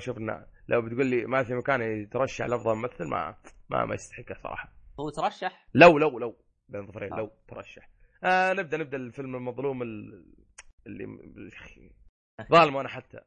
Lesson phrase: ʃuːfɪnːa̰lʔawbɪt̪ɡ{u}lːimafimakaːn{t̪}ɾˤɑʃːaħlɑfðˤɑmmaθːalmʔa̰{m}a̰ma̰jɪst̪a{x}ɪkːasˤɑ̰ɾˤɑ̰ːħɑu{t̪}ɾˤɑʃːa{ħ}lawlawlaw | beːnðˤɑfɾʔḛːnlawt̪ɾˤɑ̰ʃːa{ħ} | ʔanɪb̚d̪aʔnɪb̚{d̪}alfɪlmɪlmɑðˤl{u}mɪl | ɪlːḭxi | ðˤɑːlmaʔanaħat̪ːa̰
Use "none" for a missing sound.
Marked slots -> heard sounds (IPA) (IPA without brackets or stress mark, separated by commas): uː, t̪, m, ħ, t̪, ħ, ħ, d̪, uː